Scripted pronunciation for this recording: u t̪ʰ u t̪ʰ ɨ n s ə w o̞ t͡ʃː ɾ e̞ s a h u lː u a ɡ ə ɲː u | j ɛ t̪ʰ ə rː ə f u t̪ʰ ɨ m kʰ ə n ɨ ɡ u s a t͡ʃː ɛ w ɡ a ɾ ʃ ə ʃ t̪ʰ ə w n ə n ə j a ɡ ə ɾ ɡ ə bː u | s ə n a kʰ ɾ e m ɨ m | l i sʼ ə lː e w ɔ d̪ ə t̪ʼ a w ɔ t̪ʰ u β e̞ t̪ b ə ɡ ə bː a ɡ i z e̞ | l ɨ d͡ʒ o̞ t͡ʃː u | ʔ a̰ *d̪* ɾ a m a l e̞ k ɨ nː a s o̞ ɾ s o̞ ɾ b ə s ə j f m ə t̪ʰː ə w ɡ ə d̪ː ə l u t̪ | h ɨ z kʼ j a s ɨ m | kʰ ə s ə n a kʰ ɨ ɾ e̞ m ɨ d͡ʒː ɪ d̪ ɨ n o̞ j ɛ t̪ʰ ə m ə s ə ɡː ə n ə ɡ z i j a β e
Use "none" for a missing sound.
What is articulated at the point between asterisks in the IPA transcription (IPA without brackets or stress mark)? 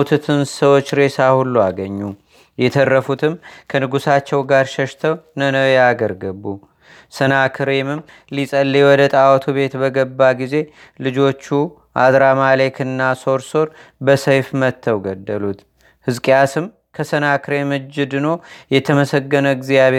d̪